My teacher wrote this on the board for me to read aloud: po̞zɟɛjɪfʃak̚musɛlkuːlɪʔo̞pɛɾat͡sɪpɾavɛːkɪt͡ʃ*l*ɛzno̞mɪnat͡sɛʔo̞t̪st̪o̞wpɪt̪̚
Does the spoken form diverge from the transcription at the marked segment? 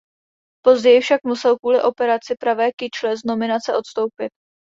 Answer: no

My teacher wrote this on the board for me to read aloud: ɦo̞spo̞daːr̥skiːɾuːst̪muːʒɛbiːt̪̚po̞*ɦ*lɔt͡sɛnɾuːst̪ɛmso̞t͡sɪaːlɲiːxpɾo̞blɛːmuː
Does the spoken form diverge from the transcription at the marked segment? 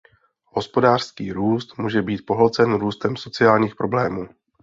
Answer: no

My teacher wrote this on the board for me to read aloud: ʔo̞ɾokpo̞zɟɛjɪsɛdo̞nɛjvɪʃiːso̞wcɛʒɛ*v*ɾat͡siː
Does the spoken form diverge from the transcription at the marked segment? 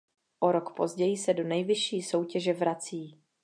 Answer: no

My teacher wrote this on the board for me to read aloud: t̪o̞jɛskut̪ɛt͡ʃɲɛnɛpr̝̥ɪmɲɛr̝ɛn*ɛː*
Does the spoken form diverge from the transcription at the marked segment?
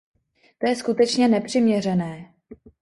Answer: no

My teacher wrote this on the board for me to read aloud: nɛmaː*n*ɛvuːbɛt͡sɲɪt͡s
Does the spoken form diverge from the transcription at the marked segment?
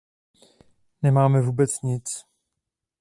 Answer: yes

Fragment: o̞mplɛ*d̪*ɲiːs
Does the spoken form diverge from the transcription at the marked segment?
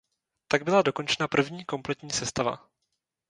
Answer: yes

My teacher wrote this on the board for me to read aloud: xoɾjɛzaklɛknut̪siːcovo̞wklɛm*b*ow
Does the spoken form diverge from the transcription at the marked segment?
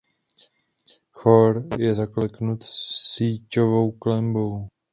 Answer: no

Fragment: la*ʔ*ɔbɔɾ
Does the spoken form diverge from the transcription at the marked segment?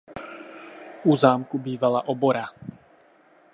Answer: no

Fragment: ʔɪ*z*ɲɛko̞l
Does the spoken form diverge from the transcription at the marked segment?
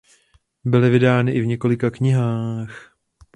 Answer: yes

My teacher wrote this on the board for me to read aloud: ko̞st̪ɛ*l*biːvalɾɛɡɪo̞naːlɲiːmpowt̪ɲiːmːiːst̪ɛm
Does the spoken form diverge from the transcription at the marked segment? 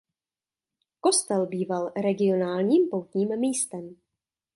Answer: no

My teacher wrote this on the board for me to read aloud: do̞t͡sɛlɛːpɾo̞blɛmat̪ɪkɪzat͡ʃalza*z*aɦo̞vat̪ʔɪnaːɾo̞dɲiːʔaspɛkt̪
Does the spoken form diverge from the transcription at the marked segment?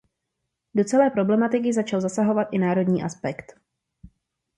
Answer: yes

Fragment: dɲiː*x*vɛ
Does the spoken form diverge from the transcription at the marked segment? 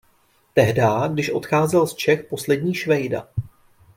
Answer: yes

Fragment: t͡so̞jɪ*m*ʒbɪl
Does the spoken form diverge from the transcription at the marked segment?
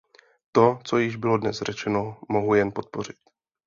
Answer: yes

